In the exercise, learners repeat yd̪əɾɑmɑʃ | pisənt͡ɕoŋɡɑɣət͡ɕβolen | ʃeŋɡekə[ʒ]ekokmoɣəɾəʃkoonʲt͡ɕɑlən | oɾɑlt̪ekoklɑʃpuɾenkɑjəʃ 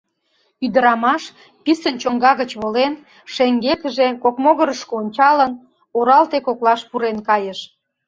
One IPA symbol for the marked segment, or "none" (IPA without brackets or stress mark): ʒ